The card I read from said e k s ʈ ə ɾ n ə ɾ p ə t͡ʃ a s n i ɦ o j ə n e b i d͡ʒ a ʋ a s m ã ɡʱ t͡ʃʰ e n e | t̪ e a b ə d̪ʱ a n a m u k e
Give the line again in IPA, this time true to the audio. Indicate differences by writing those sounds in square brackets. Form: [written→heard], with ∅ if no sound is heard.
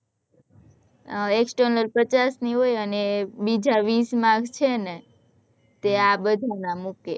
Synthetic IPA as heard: e k s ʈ ə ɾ n ə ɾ p ə t͡ʃ a s n i ɦ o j ə n e b i d͡ʒ a ʋ [a→i] s m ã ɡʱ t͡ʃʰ e n e | t̪ e a b ə d̪ʱ a n a m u k e